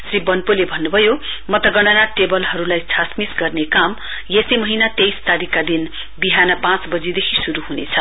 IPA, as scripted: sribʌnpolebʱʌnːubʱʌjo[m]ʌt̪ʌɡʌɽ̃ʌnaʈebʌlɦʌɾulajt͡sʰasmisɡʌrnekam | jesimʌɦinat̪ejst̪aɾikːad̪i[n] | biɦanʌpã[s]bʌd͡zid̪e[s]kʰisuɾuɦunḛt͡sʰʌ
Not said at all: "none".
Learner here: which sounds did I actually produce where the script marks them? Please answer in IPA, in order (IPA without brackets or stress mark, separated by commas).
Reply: m, n, t͡s, none